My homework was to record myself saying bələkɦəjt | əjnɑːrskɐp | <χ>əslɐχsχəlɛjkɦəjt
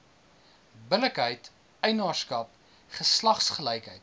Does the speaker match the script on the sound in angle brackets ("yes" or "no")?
yes